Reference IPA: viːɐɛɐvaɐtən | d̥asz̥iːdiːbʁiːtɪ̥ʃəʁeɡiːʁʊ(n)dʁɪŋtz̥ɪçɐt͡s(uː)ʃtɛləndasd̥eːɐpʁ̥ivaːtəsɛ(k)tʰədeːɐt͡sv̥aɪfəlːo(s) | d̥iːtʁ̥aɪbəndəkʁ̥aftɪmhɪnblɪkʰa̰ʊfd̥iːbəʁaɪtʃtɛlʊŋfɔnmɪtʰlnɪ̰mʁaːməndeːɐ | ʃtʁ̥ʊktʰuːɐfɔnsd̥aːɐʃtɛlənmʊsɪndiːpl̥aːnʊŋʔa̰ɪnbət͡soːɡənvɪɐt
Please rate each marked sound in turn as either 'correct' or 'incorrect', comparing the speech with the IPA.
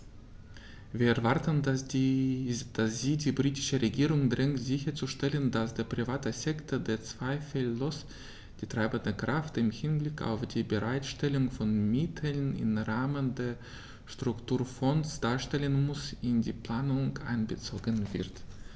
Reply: incorrect: ŋ, incorrect: u, correct, correct

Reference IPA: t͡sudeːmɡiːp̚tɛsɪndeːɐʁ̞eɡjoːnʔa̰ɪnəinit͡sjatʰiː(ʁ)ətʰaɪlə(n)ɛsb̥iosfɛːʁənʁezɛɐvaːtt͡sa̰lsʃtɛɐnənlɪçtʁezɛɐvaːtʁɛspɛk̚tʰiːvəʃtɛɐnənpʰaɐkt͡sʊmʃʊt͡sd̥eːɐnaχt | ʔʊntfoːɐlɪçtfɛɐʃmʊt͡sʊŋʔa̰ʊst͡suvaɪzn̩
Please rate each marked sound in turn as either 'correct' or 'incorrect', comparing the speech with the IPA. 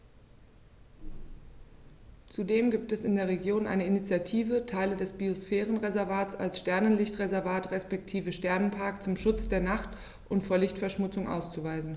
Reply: incorrect: v, incorrect: d

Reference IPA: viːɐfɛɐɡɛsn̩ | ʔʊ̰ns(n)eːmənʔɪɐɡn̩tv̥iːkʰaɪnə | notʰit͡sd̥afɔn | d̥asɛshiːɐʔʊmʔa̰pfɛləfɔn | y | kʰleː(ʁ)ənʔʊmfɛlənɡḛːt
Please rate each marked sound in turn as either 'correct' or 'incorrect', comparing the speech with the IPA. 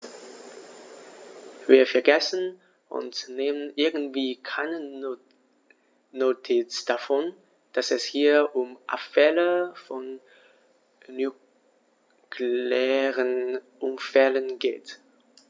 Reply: correct, correct

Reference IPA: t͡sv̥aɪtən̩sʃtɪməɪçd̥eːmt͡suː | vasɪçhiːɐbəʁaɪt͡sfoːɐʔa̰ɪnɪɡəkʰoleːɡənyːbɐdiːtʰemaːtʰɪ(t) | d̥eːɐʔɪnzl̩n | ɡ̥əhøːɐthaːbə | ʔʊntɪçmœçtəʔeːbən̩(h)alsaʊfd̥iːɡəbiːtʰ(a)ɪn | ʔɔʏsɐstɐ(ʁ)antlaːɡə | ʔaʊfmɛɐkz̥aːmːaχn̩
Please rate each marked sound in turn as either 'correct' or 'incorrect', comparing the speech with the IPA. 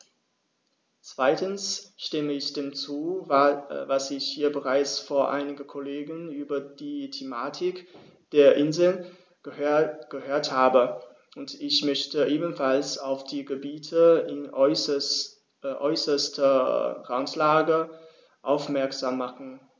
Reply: incorrect: k, incorrect: f, incorrect: ə, correct

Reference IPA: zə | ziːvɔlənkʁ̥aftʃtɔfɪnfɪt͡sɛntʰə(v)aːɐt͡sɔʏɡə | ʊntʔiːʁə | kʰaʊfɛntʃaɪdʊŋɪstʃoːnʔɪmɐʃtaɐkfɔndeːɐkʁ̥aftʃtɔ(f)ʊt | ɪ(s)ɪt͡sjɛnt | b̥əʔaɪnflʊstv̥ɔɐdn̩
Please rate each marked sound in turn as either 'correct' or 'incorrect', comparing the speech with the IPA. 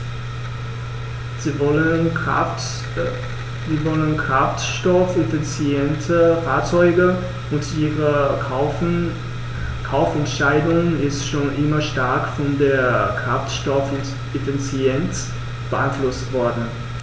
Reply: incorrect: f, correct, incorrect: f

